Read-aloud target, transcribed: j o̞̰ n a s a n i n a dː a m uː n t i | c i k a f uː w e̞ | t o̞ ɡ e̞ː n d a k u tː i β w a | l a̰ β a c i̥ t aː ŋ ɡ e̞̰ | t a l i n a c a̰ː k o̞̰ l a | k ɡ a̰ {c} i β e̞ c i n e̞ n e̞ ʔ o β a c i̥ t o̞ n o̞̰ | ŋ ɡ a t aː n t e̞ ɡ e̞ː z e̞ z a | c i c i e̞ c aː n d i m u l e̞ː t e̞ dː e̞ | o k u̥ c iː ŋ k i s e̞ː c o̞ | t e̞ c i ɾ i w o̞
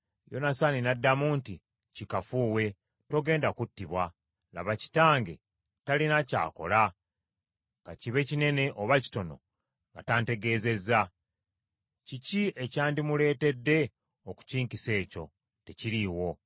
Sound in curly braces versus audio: correct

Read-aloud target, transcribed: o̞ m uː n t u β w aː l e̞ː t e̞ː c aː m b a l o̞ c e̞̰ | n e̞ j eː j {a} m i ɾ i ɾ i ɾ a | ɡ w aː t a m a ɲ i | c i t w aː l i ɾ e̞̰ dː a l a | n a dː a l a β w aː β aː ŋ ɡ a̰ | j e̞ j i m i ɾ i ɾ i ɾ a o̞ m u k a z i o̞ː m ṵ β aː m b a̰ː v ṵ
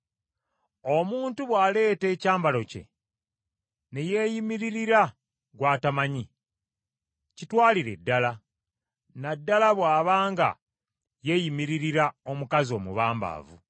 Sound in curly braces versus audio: incorrect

